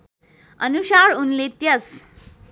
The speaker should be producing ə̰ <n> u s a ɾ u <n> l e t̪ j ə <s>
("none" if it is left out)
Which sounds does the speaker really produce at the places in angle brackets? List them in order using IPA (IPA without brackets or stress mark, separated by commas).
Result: n, n, s